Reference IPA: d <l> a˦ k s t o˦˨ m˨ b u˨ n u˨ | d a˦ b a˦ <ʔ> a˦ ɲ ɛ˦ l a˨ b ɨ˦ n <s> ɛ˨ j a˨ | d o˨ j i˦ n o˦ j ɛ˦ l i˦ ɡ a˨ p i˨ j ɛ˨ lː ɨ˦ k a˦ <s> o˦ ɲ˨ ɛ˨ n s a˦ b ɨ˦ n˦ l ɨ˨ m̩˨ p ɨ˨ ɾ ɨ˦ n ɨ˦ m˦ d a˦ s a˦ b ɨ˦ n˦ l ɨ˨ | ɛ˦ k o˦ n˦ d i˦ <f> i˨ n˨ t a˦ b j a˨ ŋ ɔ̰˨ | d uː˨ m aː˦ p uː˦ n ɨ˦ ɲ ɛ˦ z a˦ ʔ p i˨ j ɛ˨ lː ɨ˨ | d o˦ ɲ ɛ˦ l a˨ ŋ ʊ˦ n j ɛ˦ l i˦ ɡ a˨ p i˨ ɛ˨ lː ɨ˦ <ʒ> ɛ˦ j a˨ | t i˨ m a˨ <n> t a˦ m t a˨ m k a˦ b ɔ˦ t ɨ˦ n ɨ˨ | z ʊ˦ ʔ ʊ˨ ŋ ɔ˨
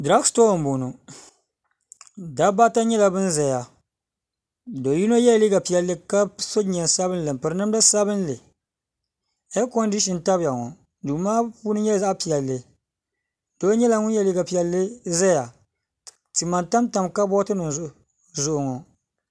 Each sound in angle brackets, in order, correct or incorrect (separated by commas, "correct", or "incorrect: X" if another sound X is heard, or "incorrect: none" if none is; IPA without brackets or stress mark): incorrect: ɾ, incorrect: t, incorrect: z, correct, incorrect: ʃ, incorrect: z, correct